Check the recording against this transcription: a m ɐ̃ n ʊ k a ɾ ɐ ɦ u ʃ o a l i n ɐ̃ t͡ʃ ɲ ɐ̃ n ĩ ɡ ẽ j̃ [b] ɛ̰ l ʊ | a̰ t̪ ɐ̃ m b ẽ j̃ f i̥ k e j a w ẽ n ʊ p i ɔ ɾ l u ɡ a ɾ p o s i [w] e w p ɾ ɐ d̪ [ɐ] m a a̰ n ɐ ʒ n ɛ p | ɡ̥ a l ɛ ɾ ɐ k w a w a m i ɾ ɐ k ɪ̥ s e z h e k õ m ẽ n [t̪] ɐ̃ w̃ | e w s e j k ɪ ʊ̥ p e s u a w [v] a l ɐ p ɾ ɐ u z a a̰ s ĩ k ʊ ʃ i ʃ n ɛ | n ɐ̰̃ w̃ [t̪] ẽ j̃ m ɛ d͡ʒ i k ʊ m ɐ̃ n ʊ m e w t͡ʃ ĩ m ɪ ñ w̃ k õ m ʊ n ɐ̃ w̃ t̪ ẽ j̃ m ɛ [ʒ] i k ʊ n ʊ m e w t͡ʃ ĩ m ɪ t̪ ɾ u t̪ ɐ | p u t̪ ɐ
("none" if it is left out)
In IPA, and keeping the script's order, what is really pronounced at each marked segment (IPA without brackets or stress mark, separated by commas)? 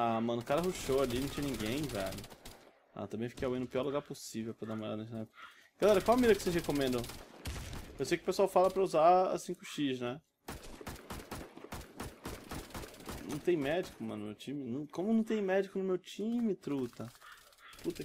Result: v, v, a, d̪, f, t̪, d͡ʒ